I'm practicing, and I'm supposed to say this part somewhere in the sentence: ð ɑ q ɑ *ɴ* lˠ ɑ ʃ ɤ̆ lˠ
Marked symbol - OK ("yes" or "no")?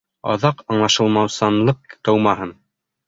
yes